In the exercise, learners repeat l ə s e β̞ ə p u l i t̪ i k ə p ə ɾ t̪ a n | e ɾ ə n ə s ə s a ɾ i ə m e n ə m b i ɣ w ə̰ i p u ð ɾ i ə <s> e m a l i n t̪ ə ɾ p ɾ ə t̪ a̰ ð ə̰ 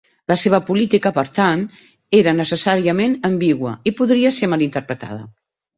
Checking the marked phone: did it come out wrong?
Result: no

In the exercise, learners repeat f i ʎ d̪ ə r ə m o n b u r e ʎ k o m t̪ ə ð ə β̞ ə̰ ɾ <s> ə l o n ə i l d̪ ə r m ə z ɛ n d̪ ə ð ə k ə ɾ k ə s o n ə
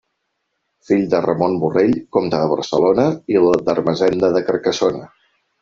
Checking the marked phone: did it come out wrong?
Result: no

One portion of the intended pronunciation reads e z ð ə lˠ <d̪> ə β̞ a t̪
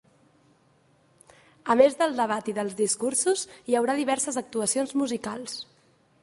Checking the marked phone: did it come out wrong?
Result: no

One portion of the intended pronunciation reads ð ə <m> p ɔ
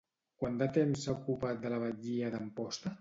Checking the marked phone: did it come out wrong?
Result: no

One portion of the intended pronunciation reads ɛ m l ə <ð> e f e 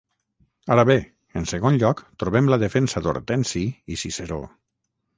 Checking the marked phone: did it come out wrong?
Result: no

